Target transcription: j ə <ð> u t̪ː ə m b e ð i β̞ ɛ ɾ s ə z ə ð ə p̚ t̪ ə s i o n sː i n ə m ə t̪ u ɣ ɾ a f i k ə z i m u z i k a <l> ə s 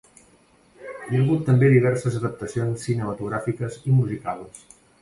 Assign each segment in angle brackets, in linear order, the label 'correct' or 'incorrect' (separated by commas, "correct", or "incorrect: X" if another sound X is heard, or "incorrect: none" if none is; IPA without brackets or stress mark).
incorrect: ɣ, correct